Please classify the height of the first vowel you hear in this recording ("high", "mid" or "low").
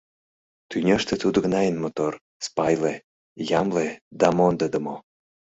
high